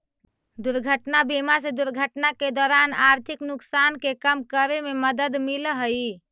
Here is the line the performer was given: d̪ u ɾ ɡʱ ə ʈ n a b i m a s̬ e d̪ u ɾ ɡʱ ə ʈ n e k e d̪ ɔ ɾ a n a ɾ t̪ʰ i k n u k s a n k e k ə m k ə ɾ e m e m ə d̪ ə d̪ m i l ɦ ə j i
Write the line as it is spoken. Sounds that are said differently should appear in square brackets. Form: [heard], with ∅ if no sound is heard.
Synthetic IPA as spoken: d̪ u ɾ ɡʱ ə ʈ n a b i m a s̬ e d̪ u ɾ ɡʱ ə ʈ n [a] k e d̪ ɔ ɾ a n a ɾ t̪ʰ i k n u k s a n k e k ə m k ə ɾ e m e m ə d̪ ə d̪ m i l ɦ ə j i